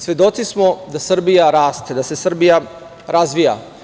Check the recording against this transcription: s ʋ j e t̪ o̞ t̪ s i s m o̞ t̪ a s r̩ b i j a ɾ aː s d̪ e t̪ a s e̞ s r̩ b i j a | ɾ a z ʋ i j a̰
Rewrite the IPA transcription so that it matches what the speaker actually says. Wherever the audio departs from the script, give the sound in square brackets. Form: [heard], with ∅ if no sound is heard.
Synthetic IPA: s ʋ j e [d̪] o̞ t̪ s i s m o̞ [d̪] a s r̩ b i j a ɾ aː s [t̪] e [d̪] a s e̞ s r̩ b i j a | ɾ a z ʋ i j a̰